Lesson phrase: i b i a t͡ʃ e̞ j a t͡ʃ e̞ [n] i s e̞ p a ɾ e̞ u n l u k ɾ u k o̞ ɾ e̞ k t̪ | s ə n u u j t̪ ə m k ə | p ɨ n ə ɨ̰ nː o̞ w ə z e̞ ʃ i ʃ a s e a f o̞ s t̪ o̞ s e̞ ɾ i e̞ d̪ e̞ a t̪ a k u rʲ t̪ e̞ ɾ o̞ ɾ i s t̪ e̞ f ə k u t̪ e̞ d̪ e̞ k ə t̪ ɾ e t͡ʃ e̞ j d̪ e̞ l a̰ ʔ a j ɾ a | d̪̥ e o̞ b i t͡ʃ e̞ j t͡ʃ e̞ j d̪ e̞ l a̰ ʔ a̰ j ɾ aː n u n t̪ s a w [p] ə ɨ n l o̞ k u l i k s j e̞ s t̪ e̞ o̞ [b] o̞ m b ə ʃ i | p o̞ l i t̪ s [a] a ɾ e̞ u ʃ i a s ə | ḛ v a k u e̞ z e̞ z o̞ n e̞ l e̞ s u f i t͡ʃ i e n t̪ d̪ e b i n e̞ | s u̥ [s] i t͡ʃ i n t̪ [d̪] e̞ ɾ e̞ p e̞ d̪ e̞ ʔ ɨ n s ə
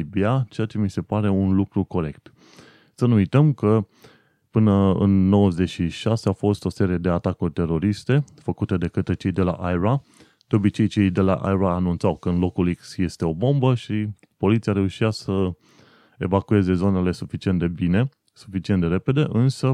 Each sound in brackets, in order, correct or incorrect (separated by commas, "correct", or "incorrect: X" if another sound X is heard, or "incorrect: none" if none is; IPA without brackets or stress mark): incorrect: m, incorrect: k, correct, incorrect: i, incorrect: f, correct